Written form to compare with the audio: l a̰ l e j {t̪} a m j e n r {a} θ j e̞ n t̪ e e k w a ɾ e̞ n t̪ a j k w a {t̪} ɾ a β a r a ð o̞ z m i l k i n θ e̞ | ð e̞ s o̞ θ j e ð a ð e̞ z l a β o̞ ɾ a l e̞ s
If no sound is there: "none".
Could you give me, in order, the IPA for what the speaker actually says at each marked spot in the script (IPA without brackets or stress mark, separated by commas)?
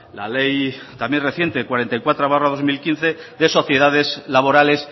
t̪, e, t̪